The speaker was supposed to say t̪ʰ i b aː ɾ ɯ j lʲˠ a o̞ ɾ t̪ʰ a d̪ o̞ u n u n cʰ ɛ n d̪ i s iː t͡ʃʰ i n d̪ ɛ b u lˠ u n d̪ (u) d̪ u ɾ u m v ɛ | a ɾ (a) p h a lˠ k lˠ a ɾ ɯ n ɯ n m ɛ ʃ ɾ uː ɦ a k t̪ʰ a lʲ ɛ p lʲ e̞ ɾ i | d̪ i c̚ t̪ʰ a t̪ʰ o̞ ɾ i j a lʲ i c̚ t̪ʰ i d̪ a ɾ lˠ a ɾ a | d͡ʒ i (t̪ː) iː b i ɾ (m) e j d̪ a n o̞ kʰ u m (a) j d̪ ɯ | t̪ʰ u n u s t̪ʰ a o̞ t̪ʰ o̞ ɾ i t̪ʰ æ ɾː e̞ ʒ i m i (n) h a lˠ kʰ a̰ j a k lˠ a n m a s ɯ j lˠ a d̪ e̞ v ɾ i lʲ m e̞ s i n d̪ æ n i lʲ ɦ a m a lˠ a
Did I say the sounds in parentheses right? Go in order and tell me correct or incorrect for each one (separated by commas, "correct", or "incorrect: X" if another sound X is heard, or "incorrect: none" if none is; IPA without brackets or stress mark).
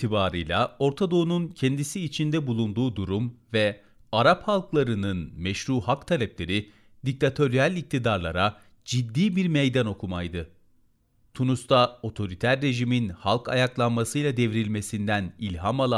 incorrect: uː, correct, incorrect: d̪ː, correct, correct, correct